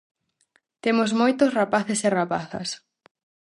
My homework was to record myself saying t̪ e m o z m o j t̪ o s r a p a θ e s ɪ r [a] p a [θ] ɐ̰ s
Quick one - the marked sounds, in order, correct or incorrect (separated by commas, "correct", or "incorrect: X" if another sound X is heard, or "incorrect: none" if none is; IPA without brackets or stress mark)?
correct, correct